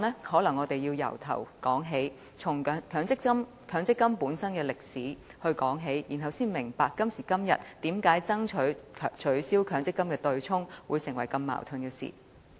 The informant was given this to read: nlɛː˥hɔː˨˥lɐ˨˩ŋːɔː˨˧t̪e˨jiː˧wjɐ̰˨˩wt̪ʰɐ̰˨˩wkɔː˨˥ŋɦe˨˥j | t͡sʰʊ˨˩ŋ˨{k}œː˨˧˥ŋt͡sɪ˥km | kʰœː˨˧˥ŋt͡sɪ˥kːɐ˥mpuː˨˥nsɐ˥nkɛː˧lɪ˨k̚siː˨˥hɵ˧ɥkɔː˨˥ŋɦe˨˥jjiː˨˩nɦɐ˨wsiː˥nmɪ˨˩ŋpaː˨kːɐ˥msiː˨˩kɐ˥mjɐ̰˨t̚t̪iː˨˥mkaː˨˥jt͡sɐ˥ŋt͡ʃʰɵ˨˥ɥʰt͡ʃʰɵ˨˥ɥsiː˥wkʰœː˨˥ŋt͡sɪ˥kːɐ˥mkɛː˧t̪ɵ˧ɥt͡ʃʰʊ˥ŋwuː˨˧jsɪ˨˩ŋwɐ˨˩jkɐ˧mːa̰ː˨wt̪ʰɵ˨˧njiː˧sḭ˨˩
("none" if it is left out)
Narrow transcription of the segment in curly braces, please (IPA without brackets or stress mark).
kʰ